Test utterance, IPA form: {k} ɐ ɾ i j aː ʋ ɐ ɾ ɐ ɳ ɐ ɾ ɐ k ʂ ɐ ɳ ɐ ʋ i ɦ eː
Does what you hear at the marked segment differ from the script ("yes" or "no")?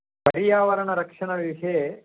yes